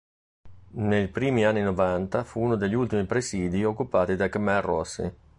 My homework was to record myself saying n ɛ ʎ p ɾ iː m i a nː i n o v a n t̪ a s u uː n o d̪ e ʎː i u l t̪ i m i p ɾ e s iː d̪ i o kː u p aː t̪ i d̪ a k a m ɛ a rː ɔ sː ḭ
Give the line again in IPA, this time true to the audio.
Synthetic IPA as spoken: n e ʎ p ɾ iː m i a nː i n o v a n t̪ a f u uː n o d̪ e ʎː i u l t̪ i m i p ɾ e s iː d̪ i o kː u p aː t̪ i d̪ a k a m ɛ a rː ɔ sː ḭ